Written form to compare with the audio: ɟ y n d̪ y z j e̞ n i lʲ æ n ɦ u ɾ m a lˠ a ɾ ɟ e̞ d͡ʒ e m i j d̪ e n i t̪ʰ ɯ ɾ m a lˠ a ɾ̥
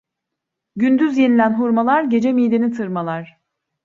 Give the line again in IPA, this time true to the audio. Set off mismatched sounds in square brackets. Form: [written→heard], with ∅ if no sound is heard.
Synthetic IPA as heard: ɟ y n d̪ y z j e̞ n i lʲ æ n ɦ u ɾ m a lˠ a ɾ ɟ e̞ d͡ʒ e m i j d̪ e n i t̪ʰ ɯ ɾ m a lˠ a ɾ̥